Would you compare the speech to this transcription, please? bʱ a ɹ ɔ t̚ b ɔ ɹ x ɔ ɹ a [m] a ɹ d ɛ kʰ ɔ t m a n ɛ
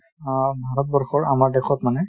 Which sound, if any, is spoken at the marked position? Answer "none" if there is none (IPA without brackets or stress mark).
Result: m